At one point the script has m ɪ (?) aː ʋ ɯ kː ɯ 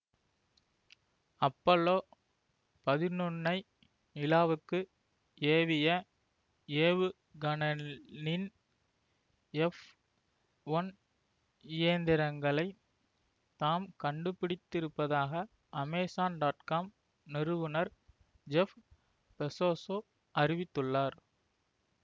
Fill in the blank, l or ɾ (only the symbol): l